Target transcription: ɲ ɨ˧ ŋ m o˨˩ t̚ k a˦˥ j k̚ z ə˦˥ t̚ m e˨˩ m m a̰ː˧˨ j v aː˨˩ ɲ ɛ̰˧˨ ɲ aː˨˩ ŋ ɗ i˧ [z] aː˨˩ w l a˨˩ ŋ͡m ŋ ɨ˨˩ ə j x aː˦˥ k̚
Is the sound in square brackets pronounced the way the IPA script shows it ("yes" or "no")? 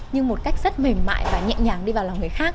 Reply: no